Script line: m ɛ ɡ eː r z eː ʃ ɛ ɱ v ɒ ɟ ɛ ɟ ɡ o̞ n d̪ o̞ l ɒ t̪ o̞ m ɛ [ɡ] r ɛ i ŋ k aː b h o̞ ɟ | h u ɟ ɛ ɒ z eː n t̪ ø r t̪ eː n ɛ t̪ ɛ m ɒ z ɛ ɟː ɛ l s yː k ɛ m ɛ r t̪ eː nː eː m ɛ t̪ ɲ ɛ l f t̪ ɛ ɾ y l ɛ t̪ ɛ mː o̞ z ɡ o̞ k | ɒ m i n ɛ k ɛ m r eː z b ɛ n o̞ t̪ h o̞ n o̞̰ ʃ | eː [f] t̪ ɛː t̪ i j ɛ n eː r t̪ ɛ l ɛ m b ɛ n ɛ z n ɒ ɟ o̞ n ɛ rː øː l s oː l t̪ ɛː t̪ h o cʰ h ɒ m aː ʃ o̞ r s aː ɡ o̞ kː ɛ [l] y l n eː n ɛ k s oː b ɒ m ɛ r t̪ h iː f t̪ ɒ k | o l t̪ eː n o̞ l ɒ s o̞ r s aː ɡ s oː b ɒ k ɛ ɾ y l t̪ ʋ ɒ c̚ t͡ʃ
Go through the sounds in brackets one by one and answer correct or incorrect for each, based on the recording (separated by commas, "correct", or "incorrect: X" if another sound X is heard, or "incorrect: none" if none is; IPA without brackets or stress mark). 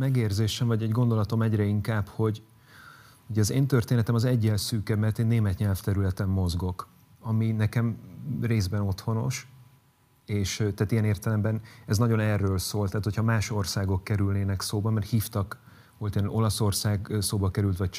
incorrect: ɟ, incorrect: ʃ, incorrect: ɾ